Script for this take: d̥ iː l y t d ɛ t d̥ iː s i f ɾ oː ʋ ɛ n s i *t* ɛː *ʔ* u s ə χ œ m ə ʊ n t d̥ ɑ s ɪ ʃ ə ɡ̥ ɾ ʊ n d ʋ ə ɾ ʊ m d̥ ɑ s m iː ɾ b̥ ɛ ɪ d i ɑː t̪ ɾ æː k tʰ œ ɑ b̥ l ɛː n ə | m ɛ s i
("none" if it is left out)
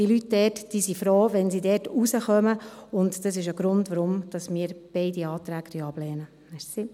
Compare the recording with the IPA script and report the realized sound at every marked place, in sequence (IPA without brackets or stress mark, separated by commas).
d, t